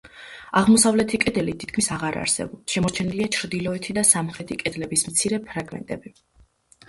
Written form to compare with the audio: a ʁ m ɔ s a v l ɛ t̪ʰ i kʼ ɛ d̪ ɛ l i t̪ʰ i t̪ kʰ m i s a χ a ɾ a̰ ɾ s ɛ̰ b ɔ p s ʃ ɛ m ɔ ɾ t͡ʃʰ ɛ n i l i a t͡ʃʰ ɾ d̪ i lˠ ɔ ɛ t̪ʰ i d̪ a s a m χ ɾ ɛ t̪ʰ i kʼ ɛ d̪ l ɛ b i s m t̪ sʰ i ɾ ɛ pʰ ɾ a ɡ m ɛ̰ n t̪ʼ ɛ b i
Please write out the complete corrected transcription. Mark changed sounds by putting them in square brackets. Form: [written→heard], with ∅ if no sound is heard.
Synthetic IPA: a ʁ m ɔ s a v l ɛ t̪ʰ i kʼ ɛ d̪ ɛ l i t̪ʰ i t̪ kʰ m i s a [χ→ʁ] a ɾ a̰ ɾ s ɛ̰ b ɔ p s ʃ ɛ m ɔ ɾ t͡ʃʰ ɛ n i l i a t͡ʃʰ ɾ d̪ i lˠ ɔ ɛ t̪ʰ i d̪ a s a m χ ɾ ɛ t̪ʰ i kʼ ɛ d̪ l ɛ b i s m t̪ sʰ i ɾ ɛ pʰ ɾ a ɡ m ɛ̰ n t̪ʼ ɛ b i